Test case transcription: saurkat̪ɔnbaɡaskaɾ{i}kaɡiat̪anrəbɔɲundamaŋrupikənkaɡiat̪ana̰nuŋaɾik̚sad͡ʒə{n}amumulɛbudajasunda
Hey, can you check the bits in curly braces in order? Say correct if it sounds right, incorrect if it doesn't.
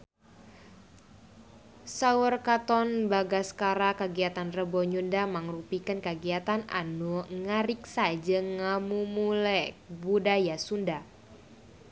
incorrect: a, incorrect: ŋ

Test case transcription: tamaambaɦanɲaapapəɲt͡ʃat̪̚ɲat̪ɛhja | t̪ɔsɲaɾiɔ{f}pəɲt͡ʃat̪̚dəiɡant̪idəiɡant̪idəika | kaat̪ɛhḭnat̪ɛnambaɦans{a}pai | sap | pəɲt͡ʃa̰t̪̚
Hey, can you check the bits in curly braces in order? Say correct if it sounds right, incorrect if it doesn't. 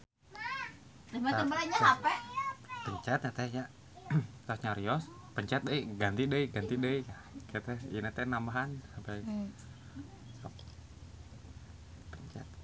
incorrect: s, correct

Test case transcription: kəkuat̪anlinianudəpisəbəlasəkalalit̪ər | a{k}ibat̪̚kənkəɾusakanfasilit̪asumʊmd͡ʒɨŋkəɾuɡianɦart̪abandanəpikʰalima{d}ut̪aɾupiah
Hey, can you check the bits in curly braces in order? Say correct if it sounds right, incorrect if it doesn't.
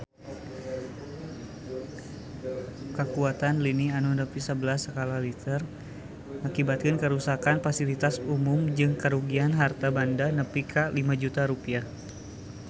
correct, incorrect: d͡ʒ

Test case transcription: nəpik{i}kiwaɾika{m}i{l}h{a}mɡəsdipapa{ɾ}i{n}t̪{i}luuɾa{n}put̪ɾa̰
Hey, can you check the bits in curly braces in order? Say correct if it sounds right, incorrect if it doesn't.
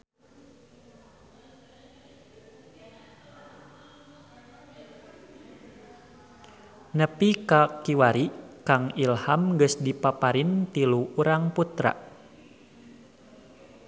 incorrect: a, incorrect: ŋ, correct, correct, correct, correct, correct, incorrect: ŋ

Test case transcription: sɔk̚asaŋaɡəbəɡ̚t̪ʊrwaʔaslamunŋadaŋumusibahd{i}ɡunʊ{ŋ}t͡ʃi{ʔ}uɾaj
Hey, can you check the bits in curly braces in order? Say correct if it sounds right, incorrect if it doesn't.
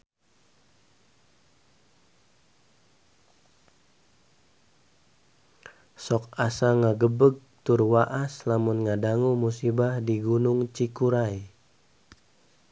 correct, correct, incorrect: k

